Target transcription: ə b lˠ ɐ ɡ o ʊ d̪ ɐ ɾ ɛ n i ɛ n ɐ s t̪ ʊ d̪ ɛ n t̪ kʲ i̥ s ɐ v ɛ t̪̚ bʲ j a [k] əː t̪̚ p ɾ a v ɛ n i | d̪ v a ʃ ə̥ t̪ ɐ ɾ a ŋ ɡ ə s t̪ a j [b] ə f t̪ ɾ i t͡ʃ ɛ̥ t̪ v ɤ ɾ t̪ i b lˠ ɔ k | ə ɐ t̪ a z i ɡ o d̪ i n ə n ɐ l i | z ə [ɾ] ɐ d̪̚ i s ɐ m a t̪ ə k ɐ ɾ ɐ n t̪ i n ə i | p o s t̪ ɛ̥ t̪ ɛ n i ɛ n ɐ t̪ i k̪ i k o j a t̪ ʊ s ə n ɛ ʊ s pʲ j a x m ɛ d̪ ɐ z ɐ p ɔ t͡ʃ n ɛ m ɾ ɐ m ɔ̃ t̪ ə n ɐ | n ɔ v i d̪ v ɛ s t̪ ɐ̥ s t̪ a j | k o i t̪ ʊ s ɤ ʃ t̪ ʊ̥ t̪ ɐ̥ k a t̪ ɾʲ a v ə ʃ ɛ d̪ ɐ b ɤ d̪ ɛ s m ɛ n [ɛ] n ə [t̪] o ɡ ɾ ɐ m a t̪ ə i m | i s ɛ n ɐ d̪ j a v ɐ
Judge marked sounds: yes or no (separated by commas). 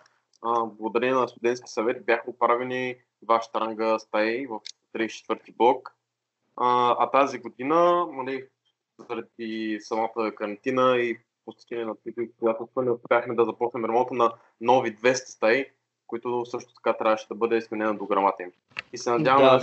no, no, yes, yes, no